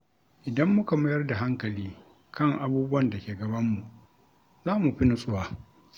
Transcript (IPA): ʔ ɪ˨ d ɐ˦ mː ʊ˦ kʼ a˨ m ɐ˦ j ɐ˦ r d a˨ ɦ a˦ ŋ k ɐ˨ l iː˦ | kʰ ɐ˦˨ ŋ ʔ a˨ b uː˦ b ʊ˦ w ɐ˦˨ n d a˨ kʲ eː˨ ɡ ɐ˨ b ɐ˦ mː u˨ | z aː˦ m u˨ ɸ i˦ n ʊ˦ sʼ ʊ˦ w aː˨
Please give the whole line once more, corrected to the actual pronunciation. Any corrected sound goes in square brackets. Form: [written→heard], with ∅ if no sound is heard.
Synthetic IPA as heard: ʔ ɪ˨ d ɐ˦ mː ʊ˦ [kʼ→k] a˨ m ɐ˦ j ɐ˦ r d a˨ ɦ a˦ ŋ k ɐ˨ l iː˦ | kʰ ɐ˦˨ ŋ ʔ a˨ b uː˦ b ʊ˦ w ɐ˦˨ n d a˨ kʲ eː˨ ɡ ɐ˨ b ɐ˦ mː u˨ | z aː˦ m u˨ ɸ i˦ n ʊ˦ sʼ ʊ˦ w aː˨